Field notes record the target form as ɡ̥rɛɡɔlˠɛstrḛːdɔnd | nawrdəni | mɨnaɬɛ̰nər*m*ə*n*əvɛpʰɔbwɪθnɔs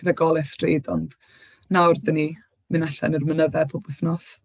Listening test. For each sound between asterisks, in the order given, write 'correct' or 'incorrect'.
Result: correct, correct

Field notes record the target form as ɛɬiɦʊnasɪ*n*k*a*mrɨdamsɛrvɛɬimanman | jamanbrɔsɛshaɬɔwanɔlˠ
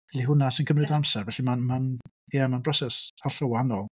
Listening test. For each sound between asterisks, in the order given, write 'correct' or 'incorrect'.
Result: correct, incorrect: ə

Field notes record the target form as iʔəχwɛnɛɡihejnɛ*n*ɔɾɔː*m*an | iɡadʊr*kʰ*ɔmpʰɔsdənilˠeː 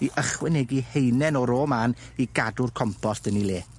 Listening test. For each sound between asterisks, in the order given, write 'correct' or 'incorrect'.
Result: correct, correct, correct

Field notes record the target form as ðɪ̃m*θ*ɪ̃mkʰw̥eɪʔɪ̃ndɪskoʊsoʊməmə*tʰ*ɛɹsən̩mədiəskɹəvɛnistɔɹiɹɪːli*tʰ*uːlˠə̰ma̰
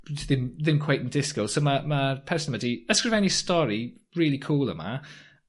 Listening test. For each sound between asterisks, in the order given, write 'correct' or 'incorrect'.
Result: incorrect: ð, incorrect: pʰ, incorrect: kʰ

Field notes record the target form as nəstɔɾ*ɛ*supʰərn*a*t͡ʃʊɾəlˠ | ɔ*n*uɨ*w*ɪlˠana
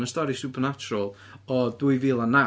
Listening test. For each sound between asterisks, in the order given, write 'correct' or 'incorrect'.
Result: incorrect: i, correct, incorrect: d, incorrect: v

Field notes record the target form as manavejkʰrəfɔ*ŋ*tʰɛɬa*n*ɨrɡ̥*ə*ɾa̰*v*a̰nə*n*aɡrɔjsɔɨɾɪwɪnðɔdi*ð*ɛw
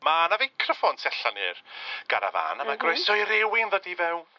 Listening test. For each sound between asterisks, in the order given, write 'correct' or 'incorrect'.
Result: incorrect: n, correct, incorrect: a, correct, incorrect: m, incorrect: v

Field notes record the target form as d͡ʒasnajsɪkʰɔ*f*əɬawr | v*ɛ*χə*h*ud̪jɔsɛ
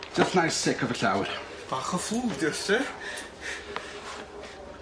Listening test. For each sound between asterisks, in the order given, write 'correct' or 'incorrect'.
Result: incorrect: v, incorrect: a, incorrect: f

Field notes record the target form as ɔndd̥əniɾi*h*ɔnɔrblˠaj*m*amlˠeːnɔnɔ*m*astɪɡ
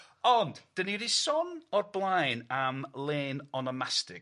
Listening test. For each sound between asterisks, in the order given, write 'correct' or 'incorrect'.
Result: incorrect: s, incorrect: n, correct

